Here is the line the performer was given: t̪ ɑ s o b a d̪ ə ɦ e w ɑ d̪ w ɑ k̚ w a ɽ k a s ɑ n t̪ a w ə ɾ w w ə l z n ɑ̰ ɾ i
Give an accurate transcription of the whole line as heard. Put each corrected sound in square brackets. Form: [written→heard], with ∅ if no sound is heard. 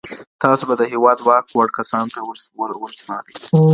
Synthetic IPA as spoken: t̪ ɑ s o b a d̪ ə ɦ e w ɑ d̪ w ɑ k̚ w a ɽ k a s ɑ n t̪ a w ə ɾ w w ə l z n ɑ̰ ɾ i

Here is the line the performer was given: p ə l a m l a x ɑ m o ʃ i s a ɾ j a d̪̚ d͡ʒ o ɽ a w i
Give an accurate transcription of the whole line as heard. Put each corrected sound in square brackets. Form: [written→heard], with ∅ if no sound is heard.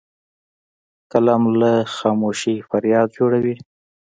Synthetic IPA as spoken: [p→k] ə l a m l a x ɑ m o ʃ i [s→f] a ɾ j [a→ɑ] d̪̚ d͡ʒ o ɽ a w i

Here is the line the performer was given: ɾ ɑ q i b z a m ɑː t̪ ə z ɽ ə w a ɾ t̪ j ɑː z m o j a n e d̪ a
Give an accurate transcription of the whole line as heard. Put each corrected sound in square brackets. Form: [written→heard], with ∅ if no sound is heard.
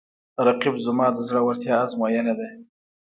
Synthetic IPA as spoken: ɾ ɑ q i b z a m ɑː [t̪→d̪] ə z ɽ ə w a ɾ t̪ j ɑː z m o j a n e d̪ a

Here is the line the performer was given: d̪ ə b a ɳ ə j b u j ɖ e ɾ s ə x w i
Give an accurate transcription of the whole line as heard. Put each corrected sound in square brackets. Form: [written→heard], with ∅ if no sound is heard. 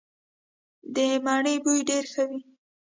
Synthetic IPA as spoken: d̪ ə [b→m] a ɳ ə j b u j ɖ e ɾ [s→x] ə [x→∅] w i

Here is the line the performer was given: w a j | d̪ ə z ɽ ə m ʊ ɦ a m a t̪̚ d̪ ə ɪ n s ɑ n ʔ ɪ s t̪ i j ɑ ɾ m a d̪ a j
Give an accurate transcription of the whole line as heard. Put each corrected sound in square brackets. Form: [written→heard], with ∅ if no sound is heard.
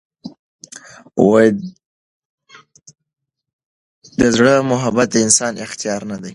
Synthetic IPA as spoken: w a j | d̪ ə z ɽ ə m ʊ ɦ a [m→b] a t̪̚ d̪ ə ɪ n s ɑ n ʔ ɪ [s→x] t̪ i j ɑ ɾ [m→n] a d̪ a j

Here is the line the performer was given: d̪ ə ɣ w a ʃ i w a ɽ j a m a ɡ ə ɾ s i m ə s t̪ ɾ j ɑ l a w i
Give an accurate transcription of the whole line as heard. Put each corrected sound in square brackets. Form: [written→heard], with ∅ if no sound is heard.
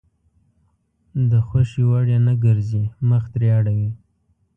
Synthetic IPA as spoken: d̪ ə [ɣ→x] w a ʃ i w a ɽ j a [m→n] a ɡ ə ɾ [s→z] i m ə [s→x] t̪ ɾ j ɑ [l→ɽ] a w i

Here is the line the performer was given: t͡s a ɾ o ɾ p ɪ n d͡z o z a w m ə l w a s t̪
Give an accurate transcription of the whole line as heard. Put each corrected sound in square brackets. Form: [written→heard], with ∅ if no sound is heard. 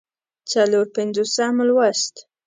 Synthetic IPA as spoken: t͡s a [ɾ→l] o ɾ p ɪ n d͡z o [z→s] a [w→∅] m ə l w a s t̪

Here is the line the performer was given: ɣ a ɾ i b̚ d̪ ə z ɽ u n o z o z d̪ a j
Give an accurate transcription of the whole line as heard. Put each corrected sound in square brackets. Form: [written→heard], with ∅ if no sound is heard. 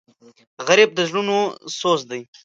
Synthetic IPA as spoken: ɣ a ɾ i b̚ d̪ ə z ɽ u n o [z→s] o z d̪ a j

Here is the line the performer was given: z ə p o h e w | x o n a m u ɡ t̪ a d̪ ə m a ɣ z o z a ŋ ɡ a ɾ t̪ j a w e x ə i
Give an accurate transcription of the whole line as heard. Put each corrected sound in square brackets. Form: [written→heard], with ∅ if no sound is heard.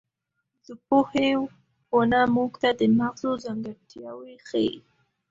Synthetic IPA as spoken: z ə p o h e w | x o n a m u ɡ t̪ a d̪ ə m a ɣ z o z a ŋ ɡ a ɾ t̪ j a w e x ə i

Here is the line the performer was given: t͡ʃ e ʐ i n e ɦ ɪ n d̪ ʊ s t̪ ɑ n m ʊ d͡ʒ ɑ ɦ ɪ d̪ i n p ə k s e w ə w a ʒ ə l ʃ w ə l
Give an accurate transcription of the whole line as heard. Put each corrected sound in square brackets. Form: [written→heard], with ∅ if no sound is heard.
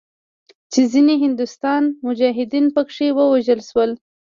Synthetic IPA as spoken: t͡ʃ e [ʐ→z] i n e ɦ ɪ n d̪ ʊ s t̪ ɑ n m ʊ d͡ʒ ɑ ɦ ɪ d̪ i n p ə k [s→ʂ] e w ə w a ʒ ə l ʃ w ə l

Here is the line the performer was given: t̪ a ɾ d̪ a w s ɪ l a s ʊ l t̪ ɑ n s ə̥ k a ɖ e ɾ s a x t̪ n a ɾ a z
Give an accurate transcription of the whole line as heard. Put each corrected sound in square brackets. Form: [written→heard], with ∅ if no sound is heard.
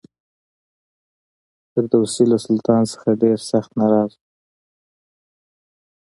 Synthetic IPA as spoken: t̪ [a→ə] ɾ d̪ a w s [ɪ→i] l a s ʊ l t̪ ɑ n s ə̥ [k→x] a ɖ e ɾ s a x t̪ n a ɾ [a→ɑ] z

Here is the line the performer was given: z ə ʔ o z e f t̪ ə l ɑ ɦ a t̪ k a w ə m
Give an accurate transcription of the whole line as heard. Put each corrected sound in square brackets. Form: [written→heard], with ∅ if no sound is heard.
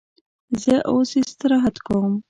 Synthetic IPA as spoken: z ə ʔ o [z→s] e [f→s] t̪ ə [l→ɾ] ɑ ɦ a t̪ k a w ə m

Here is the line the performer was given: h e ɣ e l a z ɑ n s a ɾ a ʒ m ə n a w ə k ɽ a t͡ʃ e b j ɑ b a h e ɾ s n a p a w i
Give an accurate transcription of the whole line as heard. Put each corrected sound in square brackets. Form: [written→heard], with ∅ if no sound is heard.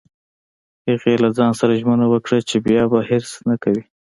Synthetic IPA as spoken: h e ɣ e l a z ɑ n s a ɾ a ʒ m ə n a w ə k ɽ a t͡ʃ e b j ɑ b a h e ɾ s n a [p→k] a w i

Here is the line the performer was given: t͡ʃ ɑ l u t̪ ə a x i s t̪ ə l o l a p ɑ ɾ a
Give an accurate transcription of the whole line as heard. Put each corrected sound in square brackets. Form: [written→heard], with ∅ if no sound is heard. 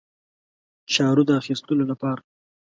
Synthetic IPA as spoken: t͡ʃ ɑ [l→ɾ] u [t̪→d̪] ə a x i s t̪ ə l o l a p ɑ ɾ a

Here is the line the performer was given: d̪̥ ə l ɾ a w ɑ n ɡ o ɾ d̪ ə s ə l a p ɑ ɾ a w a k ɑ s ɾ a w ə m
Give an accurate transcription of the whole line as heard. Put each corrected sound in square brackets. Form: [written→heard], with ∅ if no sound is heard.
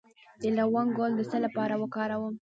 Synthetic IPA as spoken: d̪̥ ə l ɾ a w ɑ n ɡ o [ɾ→l] d̪ ə s ə l a p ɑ ɾ a w [a→ə] k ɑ [s→∅] ɾ a w ə m

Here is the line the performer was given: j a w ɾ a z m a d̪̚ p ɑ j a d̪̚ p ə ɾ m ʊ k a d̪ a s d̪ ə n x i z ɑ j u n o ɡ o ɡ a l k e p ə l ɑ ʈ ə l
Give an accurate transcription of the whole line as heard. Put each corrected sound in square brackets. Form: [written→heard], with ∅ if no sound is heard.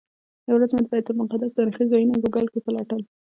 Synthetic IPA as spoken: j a w ɾ a z m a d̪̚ [p→b] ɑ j a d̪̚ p ə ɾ m ʊ [k→q] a d̪ a s d̪ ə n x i z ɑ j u n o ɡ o ɡ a l k e p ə l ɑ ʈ ə l

